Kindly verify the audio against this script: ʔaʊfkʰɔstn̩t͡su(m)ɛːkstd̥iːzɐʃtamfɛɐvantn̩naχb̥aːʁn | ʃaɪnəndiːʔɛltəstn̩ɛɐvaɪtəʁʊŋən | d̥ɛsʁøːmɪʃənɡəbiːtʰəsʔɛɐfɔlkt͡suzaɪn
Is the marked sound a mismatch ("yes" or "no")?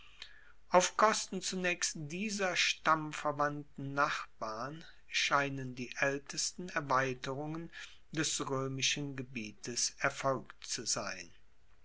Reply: yes